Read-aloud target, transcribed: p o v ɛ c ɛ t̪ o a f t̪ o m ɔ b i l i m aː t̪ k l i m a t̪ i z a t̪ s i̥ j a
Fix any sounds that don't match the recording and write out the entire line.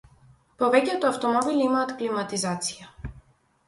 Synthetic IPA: p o v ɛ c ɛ t̪ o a f t̪ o m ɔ b i l i m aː t̪ k l i m a t̪ i z a t̪ s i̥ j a